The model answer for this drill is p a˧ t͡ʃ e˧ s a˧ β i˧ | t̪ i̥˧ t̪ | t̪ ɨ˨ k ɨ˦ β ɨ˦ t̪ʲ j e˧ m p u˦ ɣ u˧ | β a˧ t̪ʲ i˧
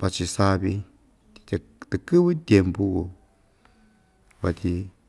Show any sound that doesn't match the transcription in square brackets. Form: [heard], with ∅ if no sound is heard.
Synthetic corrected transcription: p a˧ t͡ʃ [i˧] s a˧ β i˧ | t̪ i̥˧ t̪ | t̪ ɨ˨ k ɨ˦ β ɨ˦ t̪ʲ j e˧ m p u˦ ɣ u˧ | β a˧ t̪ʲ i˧

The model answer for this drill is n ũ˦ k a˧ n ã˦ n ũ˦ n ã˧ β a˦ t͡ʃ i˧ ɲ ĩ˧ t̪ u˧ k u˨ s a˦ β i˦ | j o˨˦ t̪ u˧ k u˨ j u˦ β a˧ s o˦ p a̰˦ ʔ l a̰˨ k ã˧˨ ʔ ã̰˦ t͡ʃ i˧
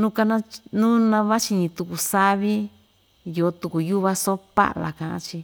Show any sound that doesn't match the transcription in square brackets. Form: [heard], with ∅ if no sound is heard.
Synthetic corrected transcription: n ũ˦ k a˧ n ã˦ n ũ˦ n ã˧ β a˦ t͡ʃ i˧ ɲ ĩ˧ t̪ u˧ k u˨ s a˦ β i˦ | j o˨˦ t̪ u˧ k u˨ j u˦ β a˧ s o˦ p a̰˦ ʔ l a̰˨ k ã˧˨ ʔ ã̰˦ t͡ʃ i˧

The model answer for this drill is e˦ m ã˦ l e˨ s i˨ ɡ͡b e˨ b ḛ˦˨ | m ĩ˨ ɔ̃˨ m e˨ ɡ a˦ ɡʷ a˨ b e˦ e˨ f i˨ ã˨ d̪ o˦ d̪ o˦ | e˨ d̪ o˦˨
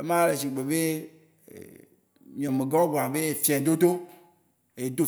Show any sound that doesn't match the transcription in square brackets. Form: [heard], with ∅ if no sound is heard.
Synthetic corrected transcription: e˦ m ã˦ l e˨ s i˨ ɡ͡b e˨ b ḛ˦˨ | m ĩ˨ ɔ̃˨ m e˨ ɡ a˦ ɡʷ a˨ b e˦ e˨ f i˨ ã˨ d̪ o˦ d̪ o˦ | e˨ d̪ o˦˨

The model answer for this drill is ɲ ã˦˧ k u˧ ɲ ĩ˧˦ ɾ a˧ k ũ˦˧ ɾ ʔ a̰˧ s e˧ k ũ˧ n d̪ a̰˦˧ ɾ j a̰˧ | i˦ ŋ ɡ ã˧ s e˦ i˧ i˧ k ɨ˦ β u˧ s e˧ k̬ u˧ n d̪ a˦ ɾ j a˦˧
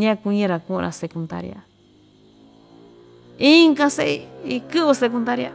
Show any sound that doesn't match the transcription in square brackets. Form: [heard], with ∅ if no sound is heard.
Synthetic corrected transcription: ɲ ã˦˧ k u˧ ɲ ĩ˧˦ ɾ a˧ k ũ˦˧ ɾ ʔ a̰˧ s e˧ k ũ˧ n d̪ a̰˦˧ ɾ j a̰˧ | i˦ ŋ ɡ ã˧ s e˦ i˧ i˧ k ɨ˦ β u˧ s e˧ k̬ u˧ n d̪ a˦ ɾ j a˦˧

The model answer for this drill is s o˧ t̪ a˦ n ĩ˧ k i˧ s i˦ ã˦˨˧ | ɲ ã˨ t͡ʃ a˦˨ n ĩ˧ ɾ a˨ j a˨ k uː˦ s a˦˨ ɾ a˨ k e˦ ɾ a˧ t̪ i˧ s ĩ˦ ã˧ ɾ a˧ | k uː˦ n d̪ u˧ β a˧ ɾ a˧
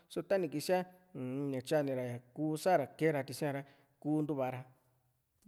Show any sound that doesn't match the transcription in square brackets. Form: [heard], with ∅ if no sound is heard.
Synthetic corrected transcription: s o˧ t̪ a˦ n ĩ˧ k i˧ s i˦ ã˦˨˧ | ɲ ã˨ t͡ʃ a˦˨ n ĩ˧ ɾ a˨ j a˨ k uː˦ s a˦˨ ɾ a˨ k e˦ ɾ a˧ t̪ i˧ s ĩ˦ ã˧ ɾ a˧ | k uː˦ n d̪ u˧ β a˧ ɾ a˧

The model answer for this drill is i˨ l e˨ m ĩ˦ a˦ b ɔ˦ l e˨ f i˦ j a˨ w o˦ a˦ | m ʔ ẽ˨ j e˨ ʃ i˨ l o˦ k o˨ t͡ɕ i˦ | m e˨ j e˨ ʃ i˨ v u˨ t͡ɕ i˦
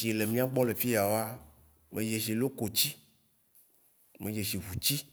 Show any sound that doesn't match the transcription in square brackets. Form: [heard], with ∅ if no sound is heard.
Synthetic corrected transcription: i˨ l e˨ m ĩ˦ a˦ [ɡ͡b] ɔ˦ l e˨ f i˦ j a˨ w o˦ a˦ | m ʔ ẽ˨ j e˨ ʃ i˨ l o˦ k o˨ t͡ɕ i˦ | m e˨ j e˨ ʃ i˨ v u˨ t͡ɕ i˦

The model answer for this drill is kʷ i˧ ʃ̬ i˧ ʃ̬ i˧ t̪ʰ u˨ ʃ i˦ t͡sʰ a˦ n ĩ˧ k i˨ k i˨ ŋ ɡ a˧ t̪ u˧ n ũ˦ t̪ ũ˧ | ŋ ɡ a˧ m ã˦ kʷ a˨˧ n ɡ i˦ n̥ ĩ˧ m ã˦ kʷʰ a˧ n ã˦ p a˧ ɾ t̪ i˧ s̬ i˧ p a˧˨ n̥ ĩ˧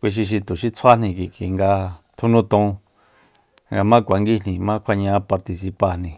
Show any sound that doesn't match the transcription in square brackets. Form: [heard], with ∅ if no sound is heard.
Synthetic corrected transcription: kʷ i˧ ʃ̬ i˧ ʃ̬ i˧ [t̪] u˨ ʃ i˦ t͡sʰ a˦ n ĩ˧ k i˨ k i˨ ŋ ɡ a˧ [t̪ʰ] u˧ n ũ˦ t̪ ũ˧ | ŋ ɡ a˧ m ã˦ kʷ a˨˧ [ŋ] ɡ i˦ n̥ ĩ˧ m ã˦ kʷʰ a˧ [ɲ] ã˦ p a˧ ɾ t̪ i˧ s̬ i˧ p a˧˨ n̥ ĩ˧

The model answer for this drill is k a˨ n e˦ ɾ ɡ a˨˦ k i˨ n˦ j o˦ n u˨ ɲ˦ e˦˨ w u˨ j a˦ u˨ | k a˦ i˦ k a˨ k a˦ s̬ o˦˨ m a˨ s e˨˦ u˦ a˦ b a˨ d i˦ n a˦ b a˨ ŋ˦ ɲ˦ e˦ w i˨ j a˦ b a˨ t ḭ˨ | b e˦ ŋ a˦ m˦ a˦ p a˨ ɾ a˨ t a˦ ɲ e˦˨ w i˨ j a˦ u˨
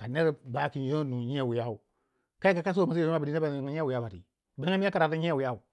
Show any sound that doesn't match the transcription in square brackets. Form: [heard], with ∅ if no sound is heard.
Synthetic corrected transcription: k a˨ n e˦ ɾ [b] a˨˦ k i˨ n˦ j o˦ n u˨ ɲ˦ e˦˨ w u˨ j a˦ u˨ | k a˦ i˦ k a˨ k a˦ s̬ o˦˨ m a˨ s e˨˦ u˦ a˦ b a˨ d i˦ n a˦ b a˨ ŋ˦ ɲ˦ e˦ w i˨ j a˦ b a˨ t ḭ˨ | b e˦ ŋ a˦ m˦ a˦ [k] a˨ ɾ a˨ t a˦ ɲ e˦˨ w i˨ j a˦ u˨

